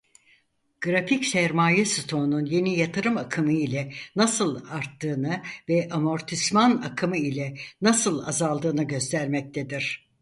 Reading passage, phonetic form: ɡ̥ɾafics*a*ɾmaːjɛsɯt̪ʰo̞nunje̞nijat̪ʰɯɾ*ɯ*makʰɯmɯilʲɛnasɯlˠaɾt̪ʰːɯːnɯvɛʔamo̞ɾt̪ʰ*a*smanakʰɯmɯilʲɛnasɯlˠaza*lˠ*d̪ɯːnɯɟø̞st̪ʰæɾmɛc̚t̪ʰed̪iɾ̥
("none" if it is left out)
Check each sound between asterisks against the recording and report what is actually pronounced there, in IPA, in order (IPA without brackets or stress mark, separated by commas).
æ, ɯ, i, lˠ